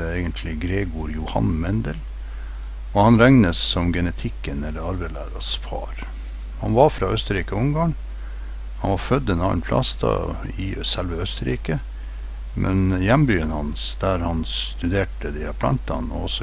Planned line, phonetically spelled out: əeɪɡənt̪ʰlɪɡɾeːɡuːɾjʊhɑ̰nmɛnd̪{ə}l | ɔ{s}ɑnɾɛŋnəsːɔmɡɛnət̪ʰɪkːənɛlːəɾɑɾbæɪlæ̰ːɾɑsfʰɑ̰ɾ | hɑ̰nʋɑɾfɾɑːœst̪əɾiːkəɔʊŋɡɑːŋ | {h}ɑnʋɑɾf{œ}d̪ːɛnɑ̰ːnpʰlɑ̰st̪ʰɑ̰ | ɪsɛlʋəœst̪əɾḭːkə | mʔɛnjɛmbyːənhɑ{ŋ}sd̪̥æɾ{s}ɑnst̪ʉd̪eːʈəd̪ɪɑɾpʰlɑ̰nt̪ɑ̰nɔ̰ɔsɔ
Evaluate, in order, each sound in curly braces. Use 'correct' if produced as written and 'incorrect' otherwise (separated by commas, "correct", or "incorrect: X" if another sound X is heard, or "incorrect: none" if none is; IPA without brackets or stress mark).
correct, incorrect: h, correct, correct, incorrect: n, incorrect: h